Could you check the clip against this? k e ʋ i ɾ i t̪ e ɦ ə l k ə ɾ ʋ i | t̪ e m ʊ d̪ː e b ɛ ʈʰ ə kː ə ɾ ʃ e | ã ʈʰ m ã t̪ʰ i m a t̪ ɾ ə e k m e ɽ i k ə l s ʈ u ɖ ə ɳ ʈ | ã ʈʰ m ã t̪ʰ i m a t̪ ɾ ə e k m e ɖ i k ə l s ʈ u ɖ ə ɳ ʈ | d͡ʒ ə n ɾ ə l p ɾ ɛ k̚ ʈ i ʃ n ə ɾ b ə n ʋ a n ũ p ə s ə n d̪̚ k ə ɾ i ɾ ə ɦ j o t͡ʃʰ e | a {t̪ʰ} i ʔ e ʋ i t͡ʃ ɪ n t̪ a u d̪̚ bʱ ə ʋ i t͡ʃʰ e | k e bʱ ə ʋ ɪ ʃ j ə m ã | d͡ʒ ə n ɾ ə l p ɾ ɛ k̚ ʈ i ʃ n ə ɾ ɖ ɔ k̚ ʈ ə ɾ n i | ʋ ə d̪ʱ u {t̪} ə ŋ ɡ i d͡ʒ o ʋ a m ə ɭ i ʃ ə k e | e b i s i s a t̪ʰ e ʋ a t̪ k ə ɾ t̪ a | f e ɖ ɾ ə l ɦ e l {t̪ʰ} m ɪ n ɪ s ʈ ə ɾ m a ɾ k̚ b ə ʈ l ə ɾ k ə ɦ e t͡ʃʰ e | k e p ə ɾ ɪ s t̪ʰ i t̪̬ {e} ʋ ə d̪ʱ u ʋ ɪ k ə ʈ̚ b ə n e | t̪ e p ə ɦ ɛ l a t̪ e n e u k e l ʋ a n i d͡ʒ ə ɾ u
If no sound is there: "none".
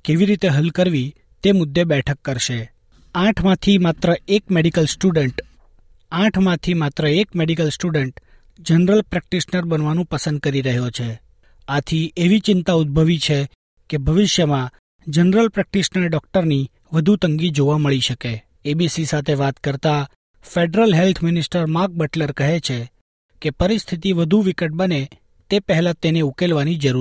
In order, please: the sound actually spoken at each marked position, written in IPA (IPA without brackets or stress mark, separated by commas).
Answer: t̪ʰ, t̪, t̪ʰ, i